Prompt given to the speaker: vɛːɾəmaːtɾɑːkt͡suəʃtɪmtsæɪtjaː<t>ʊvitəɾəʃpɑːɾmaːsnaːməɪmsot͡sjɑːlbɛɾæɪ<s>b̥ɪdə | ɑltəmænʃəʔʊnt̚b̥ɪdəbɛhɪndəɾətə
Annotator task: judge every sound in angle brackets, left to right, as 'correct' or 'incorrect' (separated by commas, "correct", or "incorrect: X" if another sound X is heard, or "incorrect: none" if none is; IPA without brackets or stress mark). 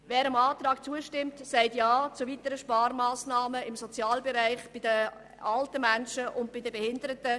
incorrect: t͡s, incorrect: χ